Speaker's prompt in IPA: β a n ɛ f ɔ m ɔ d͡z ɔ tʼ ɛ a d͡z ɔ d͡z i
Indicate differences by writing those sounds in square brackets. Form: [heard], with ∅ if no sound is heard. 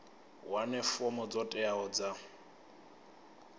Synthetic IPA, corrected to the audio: [w] a n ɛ f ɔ m ɔ d͡z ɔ tʼ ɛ a [∅] ɔ d͡z [a]